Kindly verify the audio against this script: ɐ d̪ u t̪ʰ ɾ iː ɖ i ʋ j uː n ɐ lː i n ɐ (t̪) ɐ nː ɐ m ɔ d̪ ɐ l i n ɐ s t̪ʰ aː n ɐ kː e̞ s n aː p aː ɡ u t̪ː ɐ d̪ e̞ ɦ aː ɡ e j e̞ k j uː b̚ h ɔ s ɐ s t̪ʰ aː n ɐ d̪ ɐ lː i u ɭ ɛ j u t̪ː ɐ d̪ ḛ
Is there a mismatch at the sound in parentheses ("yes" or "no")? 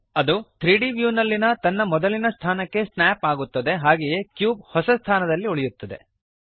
no